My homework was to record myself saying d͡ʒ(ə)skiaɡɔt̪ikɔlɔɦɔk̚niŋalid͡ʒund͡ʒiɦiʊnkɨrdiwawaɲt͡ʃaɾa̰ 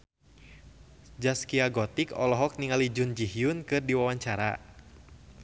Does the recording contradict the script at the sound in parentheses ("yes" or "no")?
yes